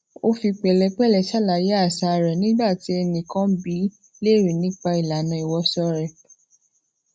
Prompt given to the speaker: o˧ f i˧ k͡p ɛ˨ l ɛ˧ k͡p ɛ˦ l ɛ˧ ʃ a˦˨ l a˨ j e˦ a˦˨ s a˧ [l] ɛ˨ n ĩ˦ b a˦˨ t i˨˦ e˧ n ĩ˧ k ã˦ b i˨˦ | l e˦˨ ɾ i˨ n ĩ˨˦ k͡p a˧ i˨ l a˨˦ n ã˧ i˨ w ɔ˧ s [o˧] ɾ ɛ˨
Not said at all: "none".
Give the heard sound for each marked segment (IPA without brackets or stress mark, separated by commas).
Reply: ɾ, ɔ˧